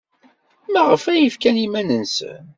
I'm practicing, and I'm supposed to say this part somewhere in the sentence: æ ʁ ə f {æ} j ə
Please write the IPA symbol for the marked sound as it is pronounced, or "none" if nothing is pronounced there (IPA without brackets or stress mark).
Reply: æ